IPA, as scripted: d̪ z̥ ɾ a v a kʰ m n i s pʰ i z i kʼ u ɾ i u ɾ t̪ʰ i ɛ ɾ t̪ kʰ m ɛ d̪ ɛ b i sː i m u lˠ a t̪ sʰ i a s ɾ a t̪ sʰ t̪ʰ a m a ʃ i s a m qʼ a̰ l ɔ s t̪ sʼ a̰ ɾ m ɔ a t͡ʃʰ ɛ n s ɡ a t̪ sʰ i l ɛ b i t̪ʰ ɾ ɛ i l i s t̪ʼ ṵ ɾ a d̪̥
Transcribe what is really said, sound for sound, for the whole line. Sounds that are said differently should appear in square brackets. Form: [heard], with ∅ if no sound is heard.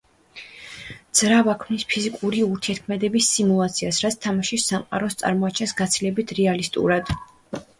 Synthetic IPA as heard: d̪ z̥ ɾ a v a kʰ m n i s pʰ i z i kʼ u ɾ i u ɾ t̪ʰ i ɛ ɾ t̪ kʰ m ɛ d̪ ɛ b i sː i m u lˠ a t̪ sʰ i a s ɾ a t̪ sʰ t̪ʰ a m a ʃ i s a m qʼ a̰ [ɾ] ɔ s t̪ sʼ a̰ ɾ m ɔ a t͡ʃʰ ɛ n s ɡ a t̪ sʰ i l ɛ b i t̪ʰ ɾ ɛ [a] l i s t̪ʼ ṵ ɾ a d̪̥